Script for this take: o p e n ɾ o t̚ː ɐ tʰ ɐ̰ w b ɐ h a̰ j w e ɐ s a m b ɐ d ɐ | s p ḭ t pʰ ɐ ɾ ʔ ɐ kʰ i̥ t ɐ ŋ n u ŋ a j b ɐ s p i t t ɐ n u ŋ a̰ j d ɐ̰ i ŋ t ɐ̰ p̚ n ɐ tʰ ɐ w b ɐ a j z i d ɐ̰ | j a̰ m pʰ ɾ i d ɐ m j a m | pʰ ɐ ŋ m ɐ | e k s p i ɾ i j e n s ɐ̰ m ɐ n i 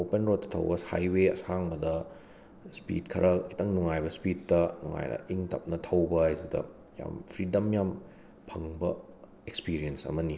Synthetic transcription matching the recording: o p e n ɾ o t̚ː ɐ tʰ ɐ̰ w b ɐ h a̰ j w e ɐ s a ŋ b ɐ d ɐ | s p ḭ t kʰ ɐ ɾ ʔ ɐ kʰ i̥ t ɐ ŋ n u ŋ a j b ɐ s p i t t ɐ n u ŋ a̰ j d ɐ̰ i ŋ t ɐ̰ p̚ n ɐ tʰ ɐ w b ɐ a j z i d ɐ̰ | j a̰ m pʰ ɾ i d ɐ m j a m | pʰ ɐ ŋ b ɐ | e k s p i ɾ i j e n s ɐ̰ m ɐ n i